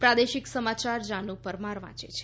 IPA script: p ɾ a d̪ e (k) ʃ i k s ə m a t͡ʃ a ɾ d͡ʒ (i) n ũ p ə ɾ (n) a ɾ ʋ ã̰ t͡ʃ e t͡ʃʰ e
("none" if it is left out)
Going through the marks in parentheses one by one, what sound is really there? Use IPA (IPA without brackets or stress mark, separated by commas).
none, a, m